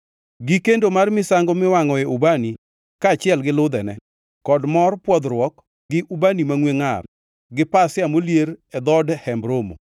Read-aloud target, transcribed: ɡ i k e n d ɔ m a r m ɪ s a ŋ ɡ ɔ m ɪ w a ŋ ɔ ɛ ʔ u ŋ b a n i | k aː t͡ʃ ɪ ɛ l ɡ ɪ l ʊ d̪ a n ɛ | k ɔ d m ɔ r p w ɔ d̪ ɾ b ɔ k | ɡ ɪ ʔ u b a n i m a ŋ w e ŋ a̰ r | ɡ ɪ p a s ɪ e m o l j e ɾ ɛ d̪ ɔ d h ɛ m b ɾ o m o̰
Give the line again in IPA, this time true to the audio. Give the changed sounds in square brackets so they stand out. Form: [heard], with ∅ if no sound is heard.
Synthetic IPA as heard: ɡ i k e n d [o] m a r m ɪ s a ŋ ɡ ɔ m ɪ w a ŋ ɔ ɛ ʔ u [∅] b a n i | k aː t͡ʃ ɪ ɛ l ɡ ɪ l ʊ d̪ [ɛ] n ɛ | k ɔ d m ɔ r p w ɔ d̪ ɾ [w] ɔ k | ɡ ɪ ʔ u b a n i m a ŋ w e ŋ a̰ r | ɡ ɪ p a s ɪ [a] m o l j e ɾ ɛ d̪ ɔ d h ɛ m b ɾ o m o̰